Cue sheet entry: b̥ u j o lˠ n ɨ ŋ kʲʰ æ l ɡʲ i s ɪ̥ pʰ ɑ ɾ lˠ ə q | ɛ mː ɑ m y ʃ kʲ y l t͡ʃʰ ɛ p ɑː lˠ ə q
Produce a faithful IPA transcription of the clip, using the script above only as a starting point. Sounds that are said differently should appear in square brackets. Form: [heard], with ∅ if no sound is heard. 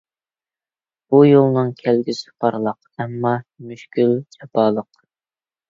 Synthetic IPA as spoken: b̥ u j o lˠ n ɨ ŋ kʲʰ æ l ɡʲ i s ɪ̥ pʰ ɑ ɾ lˠ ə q | ɛ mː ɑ m y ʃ kʲ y l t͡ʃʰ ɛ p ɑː lˠ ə q